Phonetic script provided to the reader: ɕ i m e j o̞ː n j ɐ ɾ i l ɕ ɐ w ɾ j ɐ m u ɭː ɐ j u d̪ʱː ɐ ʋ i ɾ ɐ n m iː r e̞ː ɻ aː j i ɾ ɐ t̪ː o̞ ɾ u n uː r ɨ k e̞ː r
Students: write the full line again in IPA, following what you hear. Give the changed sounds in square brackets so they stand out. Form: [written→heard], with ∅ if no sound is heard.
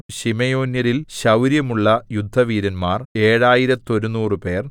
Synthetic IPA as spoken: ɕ i m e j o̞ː n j ɐ ɾ i l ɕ ɐ w ɾ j ɐ m u ɭː ɐ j u d̪ʱː ɐ ʋ [i→iː] ɾ ɐ n m [iː→aː] r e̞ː ɻ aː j i ɾ ɐ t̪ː o̞ ɾ u n uː r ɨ [k→p] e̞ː r